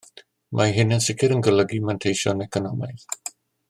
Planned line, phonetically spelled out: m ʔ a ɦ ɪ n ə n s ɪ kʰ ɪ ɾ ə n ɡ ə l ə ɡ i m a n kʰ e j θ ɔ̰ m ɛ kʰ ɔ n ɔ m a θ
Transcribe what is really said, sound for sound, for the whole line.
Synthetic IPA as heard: m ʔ a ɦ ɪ n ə n s ɪ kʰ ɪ ɾ ə n ɡ ə l ə ɡ i m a n tʰ e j ʃ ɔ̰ n ɛ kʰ ɔ n ɔ m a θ